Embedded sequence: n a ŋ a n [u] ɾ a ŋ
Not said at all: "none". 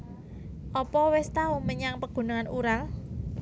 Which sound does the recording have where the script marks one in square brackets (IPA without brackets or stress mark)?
u